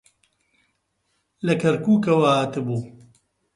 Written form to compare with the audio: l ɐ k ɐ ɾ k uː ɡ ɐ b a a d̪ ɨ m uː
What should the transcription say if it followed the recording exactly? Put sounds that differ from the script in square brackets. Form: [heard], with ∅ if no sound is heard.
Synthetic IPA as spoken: l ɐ k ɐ ɾ k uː [k] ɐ [w] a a [t̪] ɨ [b] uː